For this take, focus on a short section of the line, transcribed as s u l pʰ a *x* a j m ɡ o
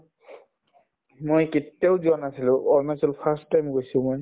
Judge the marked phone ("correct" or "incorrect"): incorrect